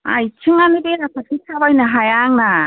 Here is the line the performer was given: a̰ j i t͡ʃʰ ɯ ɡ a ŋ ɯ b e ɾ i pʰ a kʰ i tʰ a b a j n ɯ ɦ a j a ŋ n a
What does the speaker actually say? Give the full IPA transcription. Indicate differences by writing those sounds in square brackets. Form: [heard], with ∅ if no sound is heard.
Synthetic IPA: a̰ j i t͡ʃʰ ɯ [ŋ] a [n] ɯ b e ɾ [a] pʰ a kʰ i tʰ a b a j n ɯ ɦ a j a ŋ n a